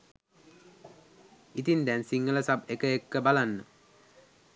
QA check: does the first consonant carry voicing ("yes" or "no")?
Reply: no